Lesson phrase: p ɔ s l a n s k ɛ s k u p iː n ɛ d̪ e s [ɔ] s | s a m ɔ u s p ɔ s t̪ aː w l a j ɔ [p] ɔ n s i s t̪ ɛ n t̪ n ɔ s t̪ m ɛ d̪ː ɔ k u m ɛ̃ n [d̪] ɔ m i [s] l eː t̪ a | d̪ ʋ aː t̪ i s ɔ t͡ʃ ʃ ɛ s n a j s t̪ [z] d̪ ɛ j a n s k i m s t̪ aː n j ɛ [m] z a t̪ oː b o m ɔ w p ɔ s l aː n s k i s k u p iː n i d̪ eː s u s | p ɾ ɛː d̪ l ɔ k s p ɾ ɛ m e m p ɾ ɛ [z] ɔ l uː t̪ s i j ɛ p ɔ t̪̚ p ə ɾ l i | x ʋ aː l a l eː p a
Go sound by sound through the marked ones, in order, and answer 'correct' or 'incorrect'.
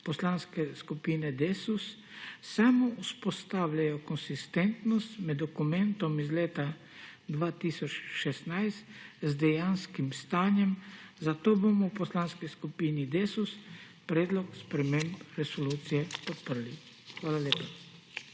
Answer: incorrect, incorrect, incorrect, incorrect, correct, correct, incorrect

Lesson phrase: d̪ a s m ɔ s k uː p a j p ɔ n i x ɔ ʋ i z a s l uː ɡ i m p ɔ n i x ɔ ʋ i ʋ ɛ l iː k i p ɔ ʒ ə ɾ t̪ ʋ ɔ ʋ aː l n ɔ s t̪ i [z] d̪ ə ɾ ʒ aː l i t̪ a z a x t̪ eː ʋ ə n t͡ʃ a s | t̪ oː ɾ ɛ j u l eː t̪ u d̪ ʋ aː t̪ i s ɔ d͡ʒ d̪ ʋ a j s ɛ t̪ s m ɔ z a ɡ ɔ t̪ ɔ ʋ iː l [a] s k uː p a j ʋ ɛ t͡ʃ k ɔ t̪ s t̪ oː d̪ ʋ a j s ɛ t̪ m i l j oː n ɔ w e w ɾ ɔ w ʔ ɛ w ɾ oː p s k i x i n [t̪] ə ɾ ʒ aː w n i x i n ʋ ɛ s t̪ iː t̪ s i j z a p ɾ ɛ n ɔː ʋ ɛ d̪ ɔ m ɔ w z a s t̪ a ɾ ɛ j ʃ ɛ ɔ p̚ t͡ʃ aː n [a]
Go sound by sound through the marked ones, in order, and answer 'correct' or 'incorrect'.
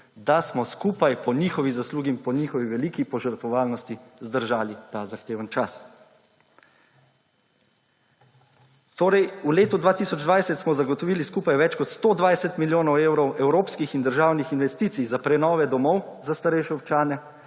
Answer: correct, incorrect, incorrect, incorrect

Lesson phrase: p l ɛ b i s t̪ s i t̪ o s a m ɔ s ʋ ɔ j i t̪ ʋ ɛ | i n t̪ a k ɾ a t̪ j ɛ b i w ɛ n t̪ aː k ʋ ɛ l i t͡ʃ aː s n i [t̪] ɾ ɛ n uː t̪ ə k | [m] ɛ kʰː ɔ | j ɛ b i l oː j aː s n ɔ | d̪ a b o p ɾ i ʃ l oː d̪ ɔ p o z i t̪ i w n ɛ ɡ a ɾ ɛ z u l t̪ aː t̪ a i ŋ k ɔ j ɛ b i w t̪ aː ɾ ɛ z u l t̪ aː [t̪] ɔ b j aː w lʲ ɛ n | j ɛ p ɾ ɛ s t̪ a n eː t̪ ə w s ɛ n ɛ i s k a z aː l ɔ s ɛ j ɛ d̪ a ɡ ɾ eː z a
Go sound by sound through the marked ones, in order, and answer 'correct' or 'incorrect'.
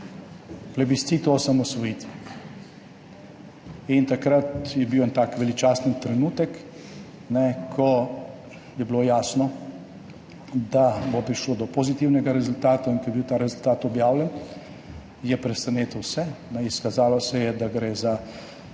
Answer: correct, incorrect, correct

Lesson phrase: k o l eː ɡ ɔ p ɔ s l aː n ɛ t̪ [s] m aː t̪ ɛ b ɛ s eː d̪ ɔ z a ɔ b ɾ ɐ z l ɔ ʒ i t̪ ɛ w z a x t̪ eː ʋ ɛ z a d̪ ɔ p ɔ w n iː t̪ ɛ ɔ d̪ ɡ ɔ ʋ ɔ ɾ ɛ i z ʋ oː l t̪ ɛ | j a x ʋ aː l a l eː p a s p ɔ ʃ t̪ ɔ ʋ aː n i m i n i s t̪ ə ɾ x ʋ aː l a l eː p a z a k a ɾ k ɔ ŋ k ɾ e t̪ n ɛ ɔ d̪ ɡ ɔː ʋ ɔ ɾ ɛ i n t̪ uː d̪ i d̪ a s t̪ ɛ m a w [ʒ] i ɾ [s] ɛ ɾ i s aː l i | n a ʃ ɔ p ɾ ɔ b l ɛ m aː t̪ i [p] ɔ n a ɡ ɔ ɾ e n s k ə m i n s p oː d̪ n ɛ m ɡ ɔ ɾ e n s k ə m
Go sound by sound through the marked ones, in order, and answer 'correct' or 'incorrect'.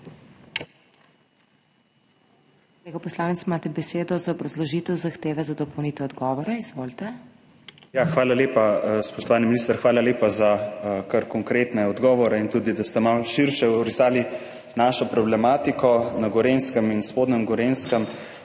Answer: correct, incorrect, incorrect, incorrect

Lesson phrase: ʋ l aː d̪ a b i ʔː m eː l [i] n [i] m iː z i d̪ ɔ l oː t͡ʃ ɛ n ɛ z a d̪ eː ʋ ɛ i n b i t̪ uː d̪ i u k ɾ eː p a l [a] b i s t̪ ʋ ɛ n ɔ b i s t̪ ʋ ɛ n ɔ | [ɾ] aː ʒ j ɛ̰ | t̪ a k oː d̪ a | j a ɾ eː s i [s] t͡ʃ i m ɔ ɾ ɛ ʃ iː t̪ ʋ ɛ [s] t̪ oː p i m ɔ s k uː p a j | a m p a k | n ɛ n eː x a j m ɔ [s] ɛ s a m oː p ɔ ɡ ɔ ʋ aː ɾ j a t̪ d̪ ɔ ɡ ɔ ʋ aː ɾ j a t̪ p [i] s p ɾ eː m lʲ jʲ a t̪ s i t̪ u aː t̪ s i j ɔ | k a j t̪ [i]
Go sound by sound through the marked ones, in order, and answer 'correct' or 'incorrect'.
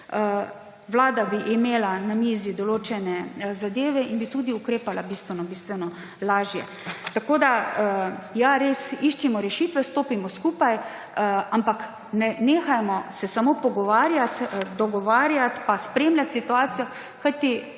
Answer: incorrect, incorrect, correct, incorrect, incorrect, correct, correct, incorrect, correct

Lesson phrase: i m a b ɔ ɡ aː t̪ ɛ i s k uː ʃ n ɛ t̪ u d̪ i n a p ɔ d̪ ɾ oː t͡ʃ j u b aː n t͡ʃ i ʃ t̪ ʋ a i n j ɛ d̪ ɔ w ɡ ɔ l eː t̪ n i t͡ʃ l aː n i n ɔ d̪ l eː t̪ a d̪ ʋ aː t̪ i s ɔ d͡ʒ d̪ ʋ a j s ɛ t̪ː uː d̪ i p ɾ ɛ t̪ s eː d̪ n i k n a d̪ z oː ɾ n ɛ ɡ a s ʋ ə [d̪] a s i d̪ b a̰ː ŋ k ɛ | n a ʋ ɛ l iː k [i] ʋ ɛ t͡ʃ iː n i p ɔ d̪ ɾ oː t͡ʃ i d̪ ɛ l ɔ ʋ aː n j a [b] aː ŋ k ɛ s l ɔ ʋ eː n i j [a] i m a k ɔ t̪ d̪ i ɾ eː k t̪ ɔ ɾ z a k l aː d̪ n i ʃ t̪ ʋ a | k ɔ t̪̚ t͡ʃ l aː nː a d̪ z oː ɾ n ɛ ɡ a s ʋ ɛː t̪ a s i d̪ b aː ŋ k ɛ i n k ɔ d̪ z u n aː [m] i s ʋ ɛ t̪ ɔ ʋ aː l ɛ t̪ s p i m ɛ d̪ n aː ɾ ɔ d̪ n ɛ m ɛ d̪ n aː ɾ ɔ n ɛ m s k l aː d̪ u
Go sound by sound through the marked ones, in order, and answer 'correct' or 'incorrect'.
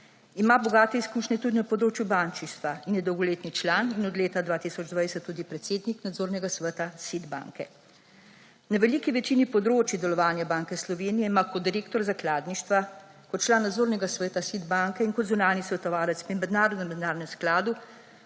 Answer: incorrect, correct, correct, incorrect, incorrect

